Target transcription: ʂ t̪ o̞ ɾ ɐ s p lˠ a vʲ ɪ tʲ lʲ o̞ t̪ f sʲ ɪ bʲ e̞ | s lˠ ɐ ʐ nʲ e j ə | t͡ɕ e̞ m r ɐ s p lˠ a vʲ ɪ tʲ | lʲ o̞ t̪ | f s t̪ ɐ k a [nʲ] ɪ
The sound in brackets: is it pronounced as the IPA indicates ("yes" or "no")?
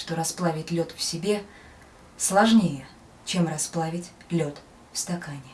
yes